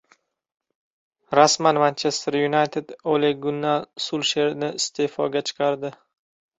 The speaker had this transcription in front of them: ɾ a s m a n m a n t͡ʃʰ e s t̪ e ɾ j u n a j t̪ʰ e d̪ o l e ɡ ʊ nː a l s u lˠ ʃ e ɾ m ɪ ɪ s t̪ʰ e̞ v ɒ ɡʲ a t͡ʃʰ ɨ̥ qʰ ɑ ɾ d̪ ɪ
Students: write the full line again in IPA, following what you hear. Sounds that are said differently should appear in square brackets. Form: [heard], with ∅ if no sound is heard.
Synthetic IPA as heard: ɾ a s m a n m a n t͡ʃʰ e s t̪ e ɾ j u n a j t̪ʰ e d̪ o l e ɡ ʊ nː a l s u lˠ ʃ e ɾ [n] ɪ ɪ s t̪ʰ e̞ [f] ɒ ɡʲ a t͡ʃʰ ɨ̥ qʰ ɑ ɾ d̪ ɪ